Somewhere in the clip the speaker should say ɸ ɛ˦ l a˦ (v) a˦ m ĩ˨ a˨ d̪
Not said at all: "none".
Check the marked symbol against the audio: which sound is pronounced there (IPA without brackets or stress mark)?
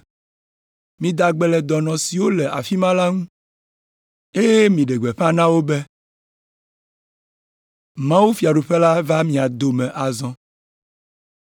v